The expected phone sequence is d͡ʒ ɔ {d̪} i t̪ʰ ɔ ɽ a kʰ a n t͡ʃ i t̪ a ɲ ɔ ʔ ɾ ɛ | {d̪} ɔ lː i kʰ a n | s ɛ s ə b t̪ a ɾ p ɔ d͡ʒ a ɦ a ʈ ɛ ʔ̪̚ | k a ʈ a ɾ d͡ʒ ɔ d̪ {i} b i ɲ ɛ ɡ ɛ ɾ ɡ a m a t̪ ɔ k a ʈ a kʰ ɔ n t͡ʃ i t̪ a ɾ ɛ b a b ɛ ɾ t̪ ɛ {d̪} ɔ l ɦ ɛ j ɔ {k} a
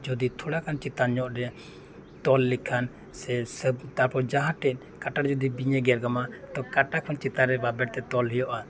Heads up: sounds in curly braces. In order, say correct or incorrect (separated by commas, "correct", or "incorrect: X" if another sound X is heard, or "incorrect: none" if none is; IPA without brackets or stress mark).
correct, incorrect: t̪, correct, incorrect: t̪, incorrect: ʔ